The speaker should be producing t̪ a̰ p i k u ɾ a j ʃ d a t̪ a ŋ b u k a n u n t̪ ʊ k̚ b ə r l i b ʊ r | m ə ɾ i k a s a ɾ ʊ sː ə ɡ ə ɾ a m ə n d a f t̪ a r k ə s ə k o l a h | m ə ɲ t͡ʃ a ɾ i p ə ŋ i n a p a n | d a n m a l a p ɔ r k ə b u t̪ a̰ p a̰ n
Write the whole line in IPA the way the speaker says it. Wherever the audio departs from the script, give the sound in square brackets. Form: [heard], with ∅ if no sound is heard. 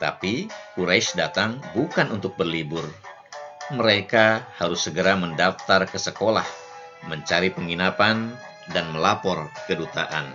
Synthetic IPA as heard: t̪ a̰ p i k u ɾ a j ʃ d a t̪ a ŋ b u k a n u n t̪ ʊ k̚ b ə r l i b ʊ r | m ə ɾ [e] k a [h] a ɾ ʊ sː ə ɡ ə ɾ a m ə n d a f t̪ a r k ə s ə k o l a h | m ə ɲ t͡ʃ a ɾ i p ə ŋ i n a p a n | d a n m [ə] l a p ɔ r k ə [d] u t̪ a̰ [ʔ] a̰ n